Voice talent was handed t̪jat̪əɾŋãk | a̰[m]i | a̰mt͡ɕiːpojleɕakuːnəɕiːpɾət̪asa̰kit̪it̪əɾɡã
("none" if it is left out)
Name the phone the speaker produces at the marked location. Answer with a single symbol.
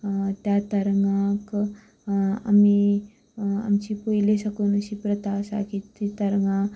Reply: m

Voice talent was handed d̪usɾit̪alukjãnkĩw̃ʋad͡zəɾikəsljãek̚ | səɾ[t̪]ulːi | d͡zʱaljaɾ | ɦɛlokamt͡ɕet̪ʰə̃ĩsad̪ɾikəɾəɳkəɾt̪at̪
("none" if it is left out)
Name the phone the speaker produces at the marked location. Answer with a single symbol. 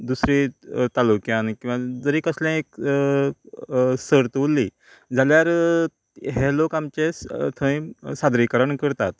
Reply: t̪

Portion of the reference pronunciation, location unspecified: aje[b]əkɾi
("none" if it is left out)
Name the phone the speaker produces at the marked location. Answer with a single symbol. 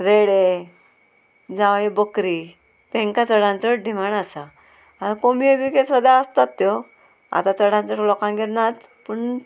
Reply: b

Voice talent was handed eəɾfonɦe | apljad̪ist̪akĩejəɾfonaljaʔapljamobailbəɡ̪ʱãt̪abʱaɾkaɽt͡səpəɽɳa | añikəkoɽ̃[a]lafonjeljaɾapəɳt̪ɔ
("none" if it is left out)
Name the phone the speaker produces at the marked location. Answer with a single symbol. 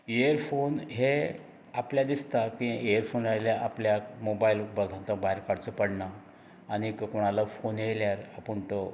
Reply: a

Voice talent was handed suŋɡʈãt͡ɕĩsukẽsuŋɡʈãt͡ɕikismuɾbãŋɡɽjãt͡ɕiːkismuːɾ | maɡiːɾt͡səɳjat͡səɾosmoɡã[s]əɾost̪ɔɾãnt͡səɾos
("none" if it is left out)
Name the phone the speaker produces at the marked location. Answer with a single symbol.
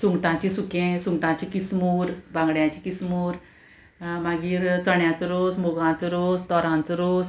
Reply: t͡s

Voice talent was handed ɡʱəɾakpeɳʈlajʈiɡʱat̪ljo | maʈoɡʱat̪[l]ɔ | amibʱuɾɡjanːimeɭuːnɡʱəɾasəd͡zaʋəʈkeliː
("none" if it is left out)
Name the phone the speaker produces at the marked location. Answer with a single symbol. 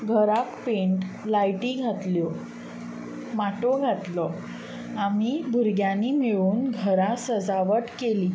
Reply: l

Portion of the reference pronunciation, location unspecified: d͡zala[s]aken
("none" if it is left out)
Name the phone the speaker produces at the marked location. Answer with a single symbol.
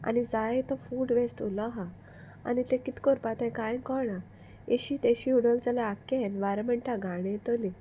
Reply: none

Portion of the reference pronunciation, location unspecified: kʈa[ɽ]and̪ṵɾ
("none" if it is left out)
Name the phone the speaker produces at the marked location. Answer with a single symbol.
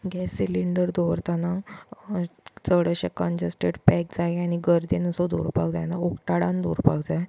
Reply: ɽ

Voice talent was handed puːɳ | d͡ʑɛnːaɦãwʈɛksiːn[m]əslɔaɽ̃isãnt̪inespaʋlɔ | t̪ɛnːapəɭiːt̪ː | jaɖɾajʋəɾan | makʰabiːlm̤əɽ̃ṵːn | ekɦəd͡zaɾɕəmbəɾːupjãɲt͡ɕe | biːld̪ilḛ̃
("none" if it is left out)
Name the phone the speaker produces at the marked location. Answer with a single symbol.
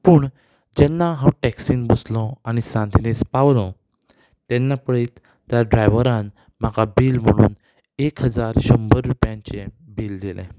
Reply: b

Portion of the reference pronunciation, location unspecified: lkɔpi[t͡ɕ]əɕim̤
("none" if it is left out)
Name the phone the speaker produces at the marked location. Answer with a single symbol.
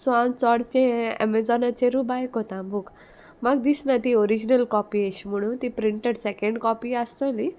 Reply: none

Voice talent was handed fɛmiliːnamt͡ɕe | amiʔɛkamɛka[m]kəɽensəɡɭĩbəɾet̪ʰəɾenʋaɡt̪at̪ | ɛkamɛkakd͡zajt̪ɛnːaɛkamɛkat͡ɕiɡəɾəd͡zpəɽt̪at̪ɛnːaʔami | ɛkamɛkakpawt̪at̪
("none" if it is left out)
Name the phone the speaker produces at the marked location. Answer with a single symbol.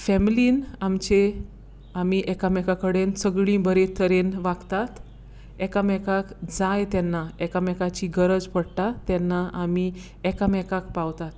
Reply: none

